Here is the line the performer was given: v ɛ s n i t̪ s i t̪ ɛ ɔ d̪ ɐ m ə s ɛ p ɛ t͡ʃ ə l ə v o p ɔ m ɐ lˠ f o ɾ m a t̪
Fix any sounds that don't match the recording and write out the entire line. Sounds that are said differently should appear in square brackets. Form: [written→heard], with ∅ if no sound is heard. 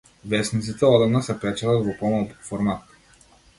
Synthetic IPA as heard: v ɛ s n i t̪ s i t̪ ɛ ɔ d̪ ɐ [m→n] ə s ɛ p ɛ t͡ʃ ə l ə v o p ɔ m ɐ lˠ f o ɾ m a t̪